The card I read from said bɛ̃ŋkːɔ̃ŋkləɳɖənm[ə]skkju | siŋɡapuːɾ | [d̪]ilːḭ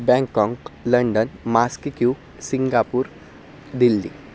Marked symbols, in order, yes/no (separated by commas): no, yes